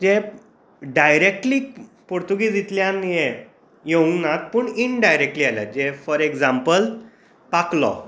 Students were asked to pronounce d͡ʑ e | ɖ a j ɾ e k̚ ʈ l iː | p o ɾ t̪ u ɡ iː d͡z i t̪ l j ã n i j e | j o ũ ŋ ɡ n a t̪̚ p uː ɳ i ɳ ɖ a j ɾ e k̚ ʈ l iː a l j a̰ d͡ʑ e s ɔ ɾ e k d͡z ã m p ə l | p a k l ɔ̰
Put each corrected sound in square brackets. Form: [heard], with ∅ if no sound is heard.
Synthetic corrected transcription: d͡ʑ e | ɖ a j ɾ e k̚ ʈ l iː | p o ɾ t̪ u ɡ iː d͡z i t̪ l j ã n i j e | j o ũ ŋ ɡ n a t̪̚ p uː ɳ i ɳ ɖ a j ɾ e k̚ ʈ l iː a l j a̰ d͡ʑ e [f] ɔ ɾ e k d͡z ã m p ə l | p a k l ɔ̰

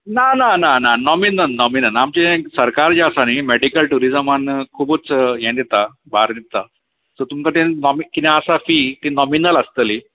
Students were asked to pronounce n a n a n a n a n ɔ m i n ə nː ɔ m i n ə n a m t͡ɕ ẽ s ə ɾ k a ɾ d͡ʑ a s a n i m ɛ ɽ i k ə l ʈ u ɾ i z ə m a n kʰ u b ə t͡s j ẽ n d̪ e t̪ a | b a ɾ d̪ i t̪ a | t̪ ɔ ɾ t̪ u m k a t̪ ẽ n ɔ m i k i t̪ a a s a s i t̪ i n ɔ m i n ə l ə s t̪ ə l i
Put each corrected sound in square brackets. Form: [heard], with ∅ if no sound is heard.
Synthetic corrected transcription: n a n a n a n a n ɔ m i n ə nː ɔ m i n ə n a m t͡ɕ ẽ s ə ɾ k a ɾ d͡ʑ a s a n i m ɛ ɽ i k ə l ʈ u ɾ i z ə m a n kʰ u b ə t͡s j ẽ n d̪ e t̪ a | b a ɾ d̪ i t̪ a | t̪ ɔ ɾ t̪ u m k a t̪ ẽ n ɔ m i k i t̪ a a s a [f] i t̪ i n ɔ m i n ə l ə s t̪ ə l i

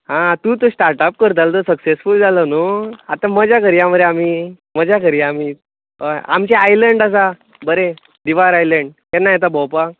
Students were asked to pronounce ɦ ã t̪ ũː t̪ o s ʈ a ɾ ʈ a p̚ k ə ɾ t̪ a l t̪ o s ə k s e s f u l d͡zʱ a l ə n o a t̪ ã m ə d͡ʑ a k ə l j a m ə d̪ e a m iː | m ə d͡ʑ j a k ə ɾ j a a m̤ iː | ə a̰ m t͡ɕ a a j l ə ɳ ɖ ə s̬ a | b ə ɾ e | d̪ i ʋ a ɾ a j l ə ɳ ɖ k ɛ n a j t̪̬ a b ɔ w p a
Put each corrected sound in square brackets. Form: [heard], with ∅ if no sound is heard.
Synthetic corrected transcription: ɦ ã t̪ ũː t̪ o s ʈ a ɾ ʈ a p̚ k ə ɾ t̪ a l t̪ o s ə k s e s f u l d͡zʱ a l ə n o a t̪ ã m ə d͡ʑ a k ə [ɾ] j a m ə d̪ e a m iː | m ə d͡ʑ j a k ə ɾ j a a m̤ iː | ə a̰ m t͡ɕ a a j l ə ɳ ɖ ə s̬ a | b ə ɾ e | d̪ i ʋ a ɾ a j l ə ɳ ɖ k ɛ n a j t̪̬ a b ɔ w p a

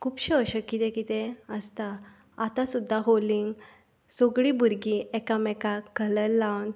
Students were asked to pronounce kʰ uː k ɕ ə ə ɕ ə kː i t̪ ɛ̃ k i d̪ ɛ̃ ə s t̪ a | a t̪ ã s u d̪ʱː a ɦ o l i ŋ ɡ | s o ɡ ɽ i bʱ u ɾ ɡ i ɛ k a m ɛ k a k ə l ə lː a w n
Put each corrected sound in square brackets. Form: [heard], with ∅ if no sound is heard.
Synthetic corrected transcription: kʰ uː [p] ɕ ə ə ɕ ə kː i t̪ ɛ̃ k i [t̪] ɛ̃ ə s t̪ a | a t̪ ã s u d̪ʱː a ɦ o l i ŋ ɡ | s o ɡ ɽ i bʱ u ɾ ɡ i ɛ k a m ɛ k a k ə l ə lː a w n

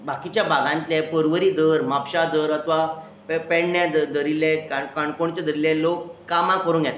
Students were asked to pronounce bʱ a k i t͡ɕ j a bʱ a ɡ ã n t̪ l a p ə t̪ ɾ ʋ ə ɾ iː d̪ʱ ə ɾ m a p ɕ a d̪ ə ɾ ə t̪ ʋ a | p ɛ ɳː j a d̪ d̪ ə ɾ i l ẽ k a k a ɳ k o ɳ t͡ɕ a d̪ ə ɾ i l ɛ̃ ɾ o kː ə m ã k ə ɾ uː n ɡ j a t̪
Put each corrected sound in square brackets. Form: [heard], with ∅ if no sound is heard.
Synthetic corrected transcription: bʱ a k i t͡ɕ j a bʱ a ɡ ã n t̪ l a p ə [∅] ɾ ʋ ə ɾ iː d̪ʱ ə ɾ m a p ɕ a d̪ ə ɾ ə t̪ ʋ a | p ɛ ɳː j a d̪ d̪ ə ɾ i l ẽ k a k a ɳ k o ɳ t͡ɕ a d̪ ə ɾ i l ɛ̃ [l] o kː [a] m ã k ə ɾ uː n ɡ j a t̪

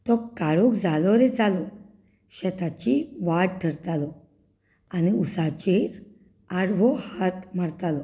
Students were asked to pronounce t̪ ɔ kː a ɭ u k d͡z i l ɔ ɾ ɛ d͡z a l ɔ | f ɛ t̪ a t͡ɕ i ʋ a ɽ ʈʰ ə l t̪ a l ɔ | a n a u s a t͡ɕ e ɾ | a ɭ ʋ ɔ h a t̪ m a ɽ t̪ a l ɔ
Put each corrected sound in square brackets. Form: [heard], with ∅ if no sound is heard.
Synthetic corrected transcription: t̪ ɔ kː a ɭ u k d͡z [a] l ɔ ɾ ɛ d͡z a l ɔ | [ɕ] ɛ t̪ a t͡ɕ i ʋ a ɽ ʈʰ ə [ɾ] t̪ a l ɔ | a n [i] u s a t͡ɕ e ɾ | a [ɽ] ʋ ɔ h a t̪ m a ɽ t̪ a l ɔ

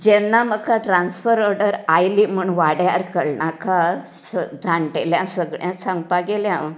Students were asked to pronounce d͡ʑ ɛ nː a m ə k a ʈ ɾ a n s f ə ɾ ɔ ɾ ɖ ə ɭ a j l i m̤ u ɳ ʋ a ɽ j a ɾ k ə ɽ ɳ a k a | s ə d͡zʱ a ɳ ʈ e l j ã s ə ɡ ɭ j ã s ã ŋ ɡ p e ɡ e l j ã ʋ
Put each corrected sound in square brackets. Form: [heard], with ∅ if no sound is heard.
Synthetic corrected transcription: d͡ʑ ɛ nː a m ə k a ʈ ɾ a n s f ə ɾ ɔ ɾ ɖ ə [ɾ] a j l i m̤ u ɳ ʋ a ɽ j a ɾ k ə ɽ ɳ a k a | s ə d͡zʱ a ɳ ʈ e l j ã s ə ɡ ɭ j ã s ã ŋ ɡ p [a] ɡ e l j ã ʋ

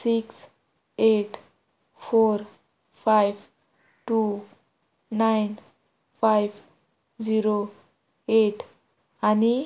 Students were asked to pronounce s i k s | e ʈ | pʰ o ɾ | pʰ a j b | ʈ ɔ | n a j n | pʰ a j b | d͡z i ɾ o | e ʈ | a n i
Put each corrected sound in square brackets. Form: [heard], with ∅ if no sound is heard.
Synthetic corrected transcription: s i k s | e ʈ | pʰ o ɾ | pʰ a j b | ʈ [u] | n a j n | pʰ a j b | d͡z i ɾ o | e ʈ | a n i

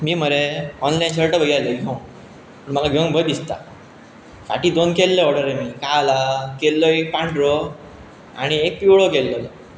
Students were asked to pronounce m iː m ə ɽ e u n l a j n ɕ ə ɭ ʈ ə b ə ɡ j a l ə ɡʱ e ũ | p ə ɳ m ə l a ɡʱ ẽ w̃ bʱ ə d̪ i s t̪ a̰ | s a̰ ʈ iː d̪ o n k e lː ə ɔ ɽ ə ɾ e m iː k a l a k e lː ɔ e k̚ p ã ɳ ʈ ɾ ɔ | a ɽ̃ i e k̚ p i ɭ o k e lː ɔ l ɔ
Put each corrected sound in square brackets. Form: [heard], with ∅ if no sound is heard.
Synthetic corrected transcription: m iː m ə [ɾ] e [ɔ] n l a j n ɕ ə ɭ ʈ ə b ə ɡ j a l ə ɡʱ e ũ | p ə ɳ m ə l a ɡʱ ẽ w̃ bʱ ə d̪ i s t̪ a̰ | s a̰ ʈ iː d̪ o n k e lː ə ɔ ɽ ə ɾ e m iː k a l a k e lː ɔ e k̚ p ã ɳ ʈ ɾ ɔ | a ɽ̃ i e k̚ p i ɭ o k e lː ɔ l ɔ

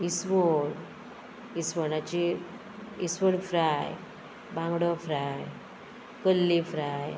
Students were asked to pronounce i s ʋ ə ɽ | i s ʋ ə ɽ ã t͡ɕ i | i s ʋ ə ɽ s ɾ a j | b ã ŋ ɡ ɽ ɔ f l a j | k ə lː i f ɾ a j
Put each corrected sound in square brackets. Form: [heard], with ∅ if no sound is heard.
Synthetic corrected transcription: i s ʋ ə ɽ | i s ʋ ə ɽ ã t͡ɕ i | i s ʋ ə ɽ [f] ɾ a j | b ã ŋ ɡ ɽ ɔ f [ɾ] a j | k ə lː i f ɾ a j

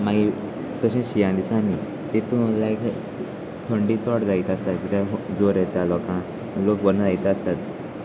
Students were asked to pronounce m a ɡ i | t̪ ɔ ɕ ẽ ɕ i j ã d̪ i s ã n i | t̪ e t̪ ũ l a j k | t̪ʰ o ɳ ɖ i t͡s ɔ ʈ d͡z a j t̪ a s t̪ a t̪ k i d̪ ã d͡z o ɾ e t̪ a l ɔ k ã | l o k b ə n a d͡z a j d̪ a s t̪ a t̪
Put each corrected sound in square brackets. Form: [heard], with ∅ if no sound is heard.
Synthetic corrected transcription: m a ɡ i | t̪ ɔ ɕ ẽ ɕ i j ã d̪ i s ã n i | t̪ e t̪ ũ l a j k | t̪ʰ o ɳ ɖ i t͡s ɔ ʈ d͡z a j t̪ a s t̪ a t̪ k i [t̪] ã d͡z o ɾ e t̪ a l ɔ k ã | l o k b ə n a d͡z a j [t̪] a s t̪ a t̪

